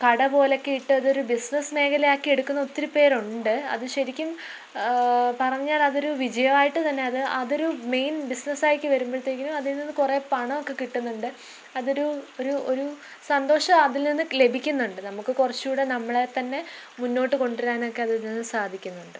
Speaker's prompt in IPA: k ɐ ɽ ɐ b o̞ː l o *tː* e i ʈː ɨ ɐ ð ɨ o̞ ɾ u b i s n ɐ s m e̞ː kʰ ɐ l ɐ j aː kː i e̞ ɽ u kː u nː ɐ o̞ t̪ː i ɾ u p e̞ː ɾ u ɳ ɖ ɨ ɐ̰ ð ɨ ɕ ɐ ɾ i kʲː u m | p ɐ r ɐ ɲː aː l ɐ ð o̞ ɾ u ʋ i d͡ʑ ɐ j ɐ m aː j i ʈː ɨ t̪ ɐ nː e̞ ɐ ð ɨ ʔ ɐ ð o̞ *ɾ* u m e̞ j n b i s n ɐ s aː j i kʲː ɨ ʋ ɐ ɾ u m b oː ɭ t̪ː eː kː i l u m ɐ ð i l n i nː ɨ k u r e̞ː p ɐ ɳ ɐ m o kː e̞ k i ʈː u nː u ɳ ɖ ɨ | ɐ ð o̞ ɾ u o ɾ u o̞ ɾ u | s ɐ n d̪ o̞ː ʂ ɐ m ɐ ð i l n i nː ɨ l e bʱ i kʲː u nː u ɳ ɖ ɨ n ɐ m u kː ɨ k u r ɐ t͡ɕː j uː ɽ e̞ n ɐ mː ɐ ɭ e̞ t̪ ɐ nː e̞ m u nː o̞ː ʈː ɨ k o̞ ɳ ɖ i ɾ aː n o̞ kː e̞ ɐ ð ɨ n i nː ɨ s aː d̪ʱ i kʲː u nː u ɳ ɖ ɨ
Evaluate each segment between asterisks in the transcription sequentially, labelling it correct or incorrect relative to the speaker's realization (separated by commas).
incorrect, correct